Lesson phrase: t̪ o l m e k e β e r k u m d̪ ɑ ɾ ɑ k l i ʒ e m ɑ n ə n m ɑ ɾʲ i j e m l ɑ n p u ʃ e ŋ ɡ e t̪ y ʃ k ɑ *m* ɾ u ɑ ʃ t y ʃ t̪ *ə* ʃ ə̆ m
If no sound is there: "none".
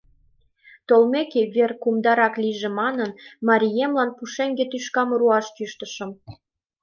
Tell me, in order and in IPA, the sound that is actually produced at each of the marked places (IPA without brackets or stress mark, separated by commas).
m, ə